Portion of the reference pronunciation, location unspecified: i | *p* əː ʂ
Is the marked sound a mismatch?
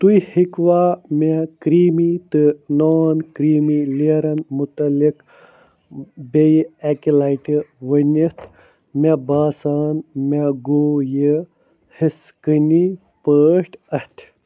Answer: no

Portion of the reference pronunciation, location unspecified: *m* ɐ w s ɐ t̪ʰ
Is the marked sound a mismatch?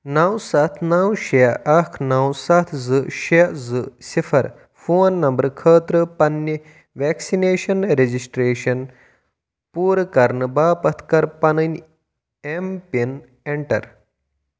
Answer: yes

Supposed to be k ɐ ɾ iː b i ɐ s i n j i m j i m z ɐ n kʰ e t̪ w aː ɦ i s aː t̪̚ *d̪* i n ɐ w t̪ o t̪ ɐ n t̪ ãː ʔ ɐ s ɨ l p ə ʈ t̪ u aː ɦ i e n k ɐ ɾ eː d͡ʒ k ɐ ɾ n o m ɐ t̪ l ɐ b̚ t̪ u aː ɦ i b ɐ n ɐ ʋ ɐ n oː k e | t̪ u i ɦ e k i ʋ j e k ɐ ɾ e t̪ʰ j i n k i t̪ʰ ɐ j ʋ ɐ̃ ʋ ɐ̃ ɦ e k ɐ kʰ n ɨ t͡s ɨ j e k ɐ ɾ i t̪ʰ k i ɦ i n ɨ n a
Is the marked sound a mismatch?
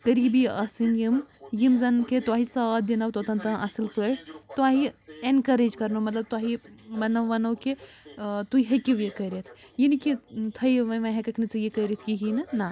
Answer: no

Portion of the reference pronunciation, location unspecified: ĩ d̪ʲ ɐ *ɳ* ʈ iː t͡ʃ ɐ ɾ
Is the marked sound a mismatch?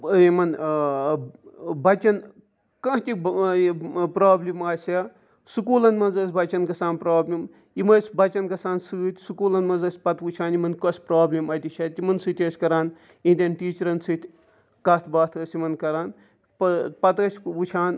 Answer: yes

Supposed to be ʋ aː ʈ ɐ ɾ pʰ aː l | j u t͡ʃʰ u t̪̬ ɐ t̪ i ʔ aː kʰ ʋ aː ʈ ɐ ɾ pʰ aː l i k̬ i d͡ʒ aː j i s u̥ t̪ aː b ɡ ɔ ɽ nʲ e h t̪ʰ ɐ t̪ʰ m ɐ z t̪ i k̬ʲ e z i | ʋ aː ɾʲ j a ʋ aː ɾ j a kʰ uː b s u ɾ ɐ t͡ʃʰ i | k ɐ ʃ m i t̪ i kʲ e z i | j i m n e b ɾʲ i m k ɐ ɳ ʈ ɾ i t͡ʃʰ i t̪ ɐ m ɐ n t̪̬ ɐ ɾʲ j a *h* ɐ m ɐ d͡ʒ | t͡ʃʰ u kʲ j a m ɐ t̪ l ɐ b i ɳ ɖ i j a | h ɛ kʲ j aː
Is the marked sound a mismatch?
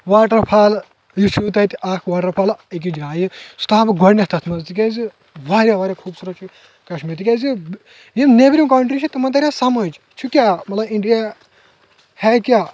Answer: yes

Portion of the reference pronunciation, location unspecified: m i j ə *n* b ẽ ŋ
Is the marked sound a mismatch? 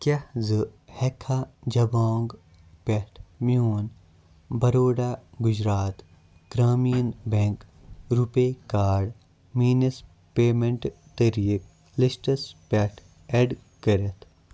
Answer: no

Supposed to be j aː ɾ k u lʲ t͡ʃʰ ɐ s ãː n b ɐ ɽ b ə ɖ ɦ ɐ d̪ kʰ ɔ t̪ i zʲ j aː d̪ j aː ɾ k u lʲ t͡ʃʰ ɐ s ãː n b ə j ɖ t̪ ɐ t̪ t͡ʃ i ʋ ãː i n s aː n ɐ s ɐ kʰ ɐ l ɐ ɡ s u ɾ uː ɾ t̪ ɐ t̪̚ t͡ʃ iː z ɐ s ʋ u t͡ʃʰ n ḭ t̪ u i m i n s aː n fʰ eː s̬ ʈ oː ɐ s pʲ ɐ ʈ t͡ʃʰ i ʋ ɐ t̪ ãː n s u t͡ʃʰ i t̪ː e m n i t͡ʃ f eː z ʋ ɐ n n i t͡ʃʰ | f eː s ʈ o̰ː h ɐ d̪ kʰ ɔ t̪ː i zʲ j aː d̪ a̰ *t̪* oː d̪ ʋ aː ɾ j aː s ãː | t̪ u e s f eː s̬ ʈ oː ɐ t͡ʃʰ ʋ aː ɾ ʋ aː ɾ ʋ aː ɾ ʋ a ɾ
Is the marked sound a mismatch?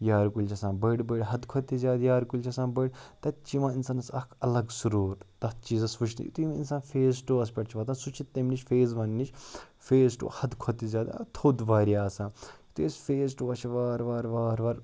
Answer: yes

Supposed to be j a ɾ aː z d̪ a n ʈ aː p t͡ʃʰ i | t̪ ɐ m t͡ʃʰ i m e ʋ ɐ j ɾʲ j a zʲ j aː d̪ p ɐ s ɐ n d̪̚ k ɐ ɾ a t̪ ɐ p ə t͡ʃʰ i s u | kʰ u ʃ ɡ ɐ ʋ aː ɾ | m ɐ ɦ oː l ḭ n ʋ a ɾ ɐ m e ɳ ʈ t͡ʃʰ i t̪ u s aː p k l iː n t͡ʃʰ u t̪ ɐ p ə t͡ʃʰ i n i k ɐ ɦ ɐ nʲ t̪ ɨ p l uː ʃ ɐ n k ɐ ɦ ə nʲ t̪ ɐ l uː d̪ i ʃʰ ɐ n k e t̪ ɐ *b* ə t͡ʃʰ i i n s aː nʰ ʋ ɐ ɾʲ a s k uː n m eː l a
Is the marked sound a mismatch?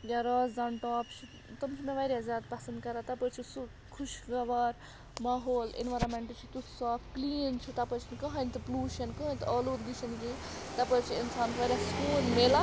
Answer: yes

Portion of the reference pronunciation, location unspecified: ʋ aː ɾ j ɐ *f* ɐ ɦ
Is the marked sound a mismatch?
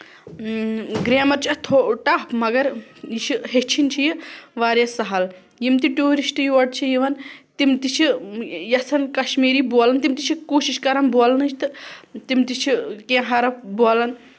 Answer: yes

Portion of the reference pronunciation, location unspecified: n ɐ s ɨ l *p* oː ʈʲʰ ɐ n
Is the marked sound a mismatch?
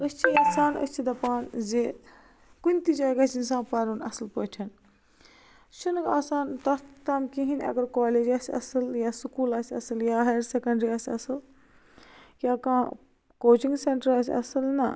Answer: no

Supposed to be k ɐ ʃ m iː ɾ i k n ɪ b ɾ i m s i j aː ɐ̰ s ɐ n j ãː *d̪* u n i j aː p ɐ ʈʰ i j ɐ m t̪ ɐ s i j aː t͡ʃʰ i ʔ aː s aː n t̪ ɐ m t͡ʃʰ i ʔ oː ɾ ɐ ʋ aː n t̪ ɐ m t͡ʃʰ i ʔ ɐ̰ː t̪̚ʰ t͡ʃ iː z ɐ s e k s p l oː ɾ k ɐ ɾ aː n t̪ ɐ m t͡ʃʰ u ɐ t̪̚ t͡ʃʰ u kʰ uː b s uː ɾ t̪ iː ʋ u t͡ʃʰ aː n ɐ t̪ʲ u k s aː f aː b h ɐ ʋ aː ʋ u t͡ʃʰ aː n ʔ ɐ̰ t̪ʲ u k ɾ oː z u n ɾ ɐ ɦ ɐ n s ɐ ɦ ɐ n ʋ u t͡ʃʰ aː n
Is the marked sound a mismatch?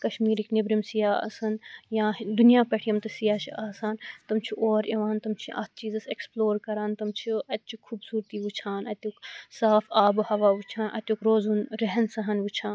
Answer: no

